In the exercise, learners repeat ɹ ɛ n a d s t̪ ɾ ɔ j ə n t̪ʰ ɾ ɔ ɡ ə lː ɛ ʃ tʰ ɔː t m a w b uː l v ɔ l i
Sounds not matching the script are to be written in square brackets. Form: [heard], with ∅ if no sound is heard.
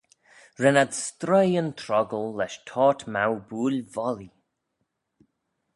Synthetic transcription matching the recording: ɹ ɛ n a d s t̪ ɾ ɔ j ə n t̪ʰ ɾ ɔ ɡ ə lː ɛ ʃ tʰ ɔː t m a w b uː l v ɔ l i